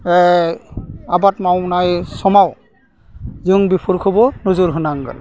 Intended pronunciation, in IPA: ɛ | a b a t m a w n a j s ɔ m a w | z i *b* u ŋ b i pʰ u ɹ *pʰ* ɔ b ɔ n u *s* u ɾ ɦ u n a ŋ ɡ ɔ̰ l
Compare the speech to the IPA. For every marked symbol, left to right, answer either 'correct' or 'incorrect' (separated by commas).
incorrect, incorrect, incorrect